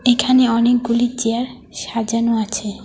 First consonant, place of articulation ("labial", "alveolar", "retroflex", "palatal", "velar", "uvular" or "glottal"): velar